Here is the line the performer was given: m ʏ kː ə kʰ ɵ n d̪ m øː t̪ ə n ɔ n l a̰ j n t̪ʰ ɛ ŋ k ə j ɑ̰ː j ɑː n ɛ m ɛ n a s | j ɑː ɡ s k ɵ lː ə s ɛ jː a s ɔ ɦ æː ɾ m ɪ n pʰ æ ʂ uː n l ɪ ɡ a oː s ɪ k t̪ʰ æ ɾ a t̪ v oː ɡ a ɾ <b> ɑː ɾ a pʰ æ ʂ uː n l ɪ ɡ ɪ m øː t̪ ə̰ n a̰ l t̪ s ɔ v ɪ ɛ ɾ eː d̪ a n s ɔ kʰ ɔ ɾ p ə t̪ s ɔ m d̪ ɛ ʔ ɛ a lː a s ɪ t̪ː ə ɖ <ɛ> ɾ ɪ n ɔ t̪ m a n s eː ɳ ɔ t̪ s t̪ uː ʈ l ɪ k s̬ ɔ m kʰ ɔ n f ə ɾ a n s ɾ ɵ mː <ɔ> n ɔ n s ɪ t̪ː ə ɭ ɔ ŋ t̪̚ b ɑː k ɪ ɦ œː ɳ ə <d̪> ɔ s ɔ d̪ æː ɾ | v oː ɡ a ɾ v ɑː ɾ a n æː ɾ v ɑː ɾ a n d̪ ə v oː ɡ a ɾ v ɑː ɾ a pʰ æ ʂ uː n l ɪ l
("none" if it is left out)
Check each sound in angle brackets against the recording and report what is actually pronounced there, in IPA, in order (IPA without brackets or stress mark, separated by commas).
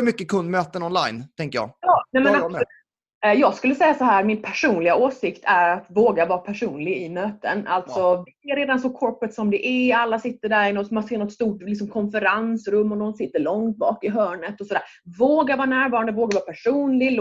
v, æ, ɔ, t̪